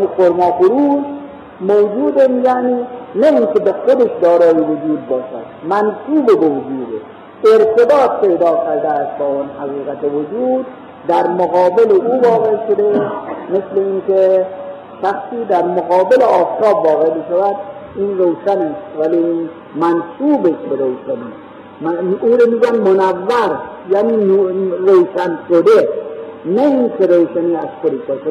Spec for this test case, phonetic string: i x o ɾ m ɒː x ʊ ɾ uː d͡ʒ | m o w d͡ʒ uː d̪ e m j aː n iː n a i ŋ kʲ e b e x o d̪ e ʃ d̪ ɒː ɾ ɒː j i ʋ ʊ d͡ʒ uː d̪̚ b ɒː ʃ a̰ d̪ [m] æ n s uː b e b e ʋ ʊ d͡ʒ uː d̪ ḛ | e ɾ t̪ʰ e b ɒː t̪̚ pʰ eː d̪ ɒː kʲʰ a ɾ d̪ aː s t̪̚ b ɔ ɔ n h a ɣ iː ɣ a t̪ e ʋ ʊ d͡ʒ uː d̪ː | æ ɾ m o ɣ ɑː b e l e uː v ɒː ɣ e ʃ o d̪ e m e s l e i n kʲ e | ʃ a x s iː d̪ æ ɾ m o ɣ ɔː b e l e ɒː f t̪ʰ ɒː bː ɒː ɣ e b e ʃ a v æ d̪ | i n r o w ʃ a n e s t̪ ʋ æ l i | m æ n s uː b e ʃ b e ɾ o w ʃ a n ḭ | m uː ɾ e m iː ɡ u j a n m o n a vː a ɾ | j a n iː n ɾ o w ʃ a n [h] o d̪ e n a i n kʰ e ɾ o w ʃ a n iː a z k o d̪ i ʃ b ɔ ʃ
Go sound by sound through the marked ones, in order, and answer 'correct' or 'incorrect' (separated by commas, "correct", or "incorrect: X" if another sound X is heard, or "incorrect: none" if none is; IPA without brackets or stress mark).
correct, incorrect: ʃ